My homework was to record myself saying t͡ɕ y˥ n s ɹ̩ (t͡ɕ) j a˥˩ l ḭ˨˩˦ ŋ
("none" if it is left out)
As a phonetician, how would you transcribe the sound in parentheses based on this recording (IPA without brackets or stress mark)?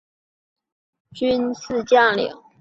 t͡ɕ